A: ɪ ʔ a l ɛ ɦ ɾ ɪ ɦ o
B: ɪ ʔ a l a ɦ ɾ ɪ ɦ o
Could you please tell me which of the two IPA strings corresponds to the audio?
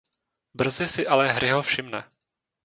A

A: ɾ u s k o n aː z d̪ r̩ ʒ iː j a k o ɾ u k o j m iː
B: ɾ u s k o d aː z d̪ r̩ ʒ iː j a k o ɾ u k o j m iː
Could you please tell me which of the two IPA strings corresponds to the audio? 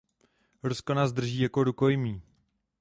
A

